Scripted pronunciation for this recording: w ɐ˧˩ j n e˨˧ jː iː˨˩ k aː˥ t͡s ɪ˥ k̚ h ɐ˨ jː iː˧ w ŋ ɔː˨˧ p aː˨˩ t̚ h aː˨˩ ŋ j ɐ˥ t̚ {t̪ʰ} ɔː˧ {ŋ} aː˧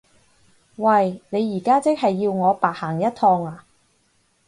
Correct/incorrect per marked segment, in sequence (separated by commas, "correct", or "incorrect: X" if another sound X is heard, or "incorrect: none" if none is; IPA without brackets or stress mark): correct, correct